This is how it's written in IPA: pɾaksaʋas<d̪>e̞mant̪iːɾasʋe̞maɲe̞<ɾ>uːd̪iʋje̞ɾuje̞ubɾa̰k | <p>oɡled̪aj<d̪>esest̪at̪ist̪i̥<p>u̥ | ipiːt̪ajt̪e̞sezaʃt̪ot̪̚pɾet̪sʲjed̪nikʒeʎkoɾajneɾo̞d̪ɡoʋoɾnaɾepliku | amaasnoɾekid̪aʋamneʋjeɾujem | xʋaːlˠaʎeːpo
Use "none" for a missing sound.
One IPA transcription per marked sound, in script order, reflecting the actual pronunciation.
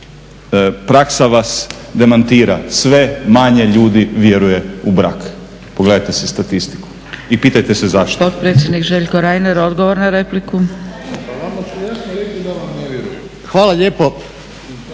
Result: d̪, ʎ, p, t̪, k

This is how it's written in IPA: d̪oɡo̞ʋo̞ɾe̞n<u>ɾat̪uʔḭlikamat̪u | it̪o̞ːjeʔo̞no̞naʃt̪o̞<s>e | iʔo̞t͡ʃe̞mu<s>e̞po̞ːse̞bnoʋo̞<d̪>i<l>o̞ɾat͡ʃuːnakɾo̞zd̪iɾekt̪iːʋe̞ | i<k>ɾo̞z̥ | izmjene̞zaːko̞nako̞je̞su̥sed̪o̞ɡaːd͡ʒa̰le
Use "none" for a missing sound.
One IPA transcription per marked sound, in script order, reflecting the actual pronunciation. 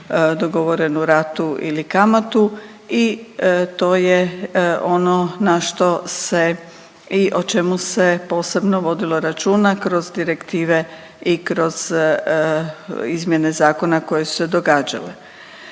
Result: u, s, s, d̪, l, k

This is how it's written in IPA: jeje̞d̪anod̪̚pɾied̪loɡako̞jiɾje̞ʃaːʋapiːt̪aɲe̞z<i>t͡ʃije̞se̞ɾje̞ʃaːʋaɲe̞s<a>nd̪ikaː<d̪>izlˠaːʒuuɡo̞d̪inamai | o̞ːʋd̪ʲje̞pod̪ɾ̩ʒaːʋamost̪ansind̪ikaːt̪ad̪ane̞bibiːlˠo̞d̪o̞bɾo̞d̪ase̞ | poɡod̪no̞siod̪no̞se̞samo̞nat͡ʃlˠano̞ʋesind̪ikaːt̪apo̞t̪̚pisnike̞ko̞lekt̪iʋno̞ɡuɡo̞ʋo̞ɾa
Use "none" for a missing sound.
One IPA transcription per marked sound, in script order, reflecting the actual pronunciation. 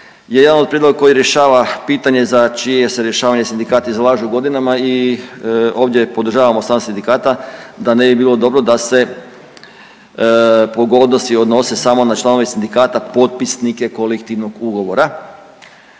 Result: a, i, t̪

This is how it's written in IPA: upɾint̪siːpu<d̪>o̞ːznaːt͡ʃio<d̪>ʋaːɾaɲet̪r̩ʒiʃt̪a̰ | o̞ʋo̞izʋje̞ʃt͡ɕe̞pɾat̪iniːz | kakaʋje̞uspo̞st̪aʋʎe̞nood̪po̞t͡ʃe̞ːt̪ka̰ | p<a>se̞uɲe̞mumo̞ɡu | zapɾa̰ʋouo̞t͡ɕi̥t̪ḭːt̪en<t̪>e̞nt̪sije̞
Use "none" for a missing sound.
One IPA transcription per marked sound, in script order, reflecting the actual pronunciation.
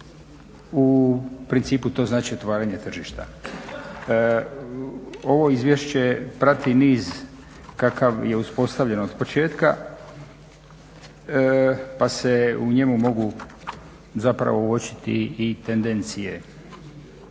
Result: t̪, t̪, a, d̪

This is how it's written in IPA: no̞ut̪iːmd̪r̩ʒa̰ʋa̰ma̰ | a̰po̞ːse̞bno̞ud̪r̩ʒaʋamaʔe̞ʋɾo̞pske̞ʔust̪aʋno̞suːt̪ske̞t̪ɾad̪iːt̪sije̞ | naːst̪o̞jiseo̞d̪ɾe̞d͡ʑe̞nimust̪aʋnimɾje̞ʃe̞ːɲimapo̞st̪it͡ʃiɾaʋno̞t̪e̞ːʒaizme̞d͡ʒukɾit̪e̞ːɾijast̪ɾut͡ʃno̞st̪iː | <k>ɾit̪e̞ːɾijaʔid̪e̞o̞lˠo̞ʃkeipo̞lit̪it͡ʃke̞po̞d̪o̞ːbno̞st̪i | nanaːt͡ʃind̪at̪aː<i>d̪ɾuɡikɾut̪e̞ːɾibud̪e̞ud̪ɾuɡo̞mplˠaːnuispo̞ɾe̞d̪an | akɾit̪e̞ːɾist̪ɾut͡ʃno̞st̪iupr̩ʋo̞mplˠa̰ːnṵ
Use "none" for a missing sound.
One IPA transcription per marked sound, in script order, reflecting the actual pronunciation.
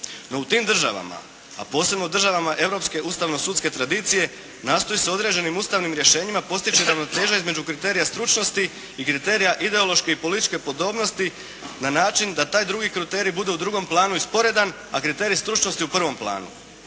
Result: k, j

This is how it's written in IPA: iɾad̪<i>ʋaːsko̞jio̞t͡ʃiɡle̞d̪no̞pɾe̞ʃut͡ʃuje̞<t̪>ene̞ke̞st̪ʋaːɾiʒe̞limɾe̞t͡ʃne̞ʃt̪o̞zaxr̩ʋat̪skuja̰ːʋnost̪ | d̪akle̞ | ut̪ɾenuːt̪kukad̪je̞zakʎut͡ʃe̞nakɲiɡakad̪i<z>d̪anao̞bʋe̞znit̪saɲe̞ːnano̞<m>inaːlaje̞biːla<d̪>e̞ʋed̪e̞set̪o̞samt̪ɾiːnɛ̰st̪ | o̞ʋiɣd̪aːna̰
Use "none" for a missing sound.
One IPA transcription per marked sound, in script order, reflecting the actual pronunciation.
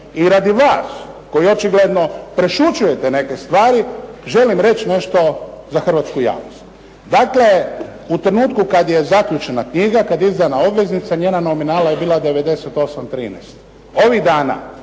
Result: i, t̪, z, m, d̪

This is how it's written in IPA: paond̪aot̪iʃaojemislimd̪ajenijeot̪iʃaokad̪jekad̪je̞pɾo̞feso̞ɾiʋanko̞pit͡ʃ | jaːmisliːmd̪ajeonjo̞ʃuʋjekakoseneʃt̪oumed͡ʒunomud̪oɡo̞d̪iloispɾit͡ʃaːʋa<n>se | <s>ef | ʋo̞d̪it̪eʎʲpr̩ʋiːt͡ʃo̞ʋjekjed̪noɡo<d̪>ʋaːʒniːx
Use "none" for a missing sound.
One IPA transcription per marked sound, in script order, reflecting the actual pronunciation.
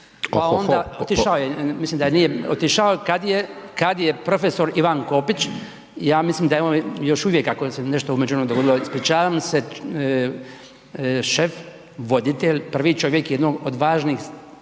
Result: m, ʃ, d̪

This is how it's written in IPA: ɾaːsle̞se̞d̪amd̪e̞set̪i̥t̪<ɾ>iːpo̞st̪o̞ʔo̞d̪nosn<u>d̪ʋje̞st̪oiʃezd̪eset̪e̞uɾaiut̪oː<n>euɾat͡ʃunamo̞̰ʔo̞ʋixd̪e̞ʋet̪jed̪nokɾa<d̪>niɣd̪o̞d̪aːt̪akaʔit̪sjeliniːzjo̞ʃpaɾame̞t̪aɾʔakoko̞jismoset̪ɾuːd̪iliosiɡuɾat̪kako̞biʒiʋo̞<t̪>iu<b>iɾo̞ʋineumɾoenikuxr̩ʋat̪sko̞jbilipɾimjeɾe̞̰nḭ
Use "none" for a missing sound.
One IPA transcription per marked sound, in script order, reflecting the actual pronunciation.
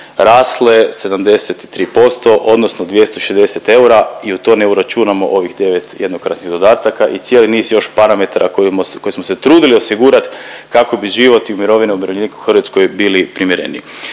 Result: ɾ, o, n, t̪, t̪, m

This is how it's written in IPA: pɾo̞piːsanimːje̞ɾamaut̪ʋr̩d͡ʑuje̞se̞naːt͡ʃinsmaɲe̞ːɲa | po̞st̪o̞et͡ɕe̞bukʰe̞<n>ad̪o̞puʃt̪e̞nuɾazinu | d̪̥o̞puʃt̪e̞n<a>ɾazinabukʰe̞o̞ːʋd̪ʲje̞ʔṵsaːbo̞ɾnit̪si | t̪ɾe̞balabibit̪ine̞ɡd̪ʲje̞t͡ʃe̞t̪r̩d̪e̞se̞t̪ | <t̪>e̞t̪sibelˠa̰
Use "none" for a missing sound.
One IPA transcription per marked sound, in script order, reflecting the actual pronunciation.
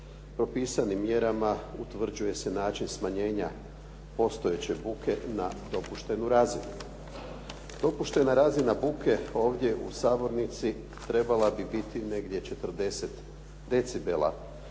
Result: n, a, d̪

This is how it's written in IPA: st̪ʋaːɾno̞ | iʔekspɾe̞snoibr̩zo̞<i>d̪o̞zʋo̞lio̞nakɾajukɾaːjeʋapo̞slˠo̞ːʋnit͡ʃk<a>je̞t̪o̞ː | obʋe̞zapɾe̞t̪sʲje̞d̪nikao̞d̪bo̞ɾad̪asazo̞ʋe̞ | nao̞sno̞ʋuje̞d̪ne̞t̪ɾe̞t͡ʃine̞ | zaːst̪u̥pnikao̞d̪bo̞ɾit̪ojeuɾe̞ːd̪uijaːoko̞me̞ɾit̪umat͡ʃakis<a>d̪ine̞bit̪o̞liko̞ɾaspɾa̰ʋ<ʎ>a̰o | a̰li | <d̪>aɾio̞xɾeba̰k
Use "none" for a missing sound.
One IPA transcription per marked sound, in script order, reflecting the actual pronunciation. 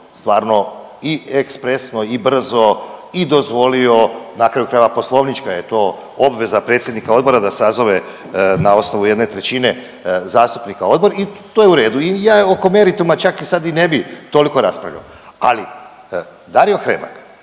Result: i, a, a, ʎ, d̪

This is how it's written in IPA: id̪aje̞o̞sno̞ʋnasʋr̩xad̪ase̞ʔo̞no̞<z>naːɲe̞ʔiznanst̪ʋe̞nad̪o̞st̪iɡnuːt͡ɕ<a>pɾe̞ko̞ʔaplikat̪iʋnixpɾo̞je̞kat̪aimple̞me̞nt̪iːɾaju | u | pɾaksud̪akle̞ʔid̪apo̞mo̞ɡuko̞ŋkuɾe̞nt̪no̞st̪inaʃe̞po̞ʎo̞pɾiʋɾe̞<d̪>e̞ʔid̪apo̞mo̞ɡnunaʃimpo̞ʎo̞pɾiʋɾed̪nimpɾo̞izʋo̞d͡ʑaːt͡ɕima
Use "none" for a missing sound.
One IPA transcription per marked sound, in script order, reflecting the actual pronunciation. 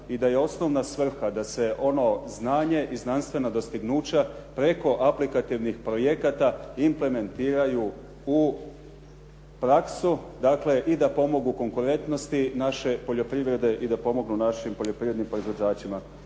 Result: z, a, d̪

